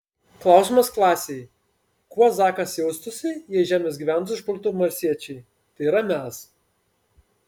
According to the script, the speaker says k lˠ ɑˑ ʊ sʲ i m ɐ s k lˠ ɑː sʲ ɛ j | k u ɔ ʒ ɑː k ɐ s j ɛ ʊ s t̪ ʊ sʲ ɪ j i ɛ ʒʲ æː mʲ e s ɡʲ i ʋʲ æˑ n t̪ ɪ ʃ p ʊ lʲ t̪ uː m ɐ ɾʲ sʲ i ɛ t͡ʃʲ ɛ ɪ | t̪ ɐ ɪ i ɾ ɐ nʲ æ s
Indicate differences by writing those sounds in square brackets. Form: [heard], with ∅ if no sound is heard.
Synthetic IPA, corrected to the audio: k lˠ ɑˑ ʊ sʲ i m ɐ s k lˠ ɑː sʲ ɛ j | k u ɔ [z] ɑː k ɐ s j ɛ ʊ s t̪ ʊ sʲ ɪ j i ɛ ʒʲ æː mʲ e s ɡʲ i ʋʲ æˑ n t̪ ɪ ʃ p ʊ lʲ t̪ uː m ɐ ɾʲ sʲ i ɛ t͡ʃʲ ɛ ɪ | t̪ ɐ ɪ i ɾ ɐ [mʲ] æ s